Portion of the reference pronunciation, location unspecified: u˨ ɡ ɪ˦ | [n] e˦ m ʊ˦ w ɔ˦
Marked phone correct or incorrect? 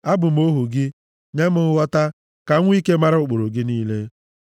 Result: incorrect: ɲ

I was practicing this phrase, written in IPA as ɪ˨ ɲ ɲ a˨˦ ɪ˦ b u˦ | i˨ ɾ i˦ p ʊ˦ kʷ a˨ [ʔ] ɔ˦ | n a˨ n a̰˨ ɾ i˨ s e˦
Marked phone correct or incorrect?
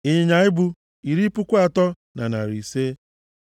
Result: incorrect: t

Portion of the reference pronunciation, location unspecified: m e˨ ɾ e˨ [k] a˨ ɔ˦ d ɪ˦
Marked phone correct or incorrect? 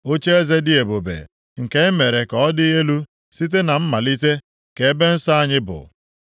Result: correct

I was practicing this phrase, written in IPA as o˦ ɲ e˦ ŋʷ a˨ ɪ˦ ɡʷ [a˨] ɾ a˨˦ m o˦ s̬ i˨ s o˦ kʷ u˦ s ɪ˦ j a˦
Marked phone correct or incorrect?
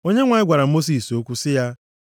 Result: correct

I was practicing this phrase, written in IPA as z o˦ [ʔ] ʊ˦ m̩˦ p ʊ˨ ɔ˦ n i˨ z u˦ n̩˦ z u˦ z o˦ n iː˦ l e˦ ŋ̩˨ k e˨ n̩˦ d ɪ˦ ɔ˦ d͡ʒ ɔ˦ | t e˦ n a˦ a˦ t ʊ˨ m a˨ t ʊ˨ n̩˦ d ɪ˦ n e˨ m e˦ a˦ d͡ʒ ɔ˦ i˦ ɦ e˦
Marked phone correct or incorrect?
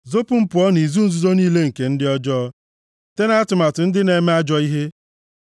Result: incorrect: p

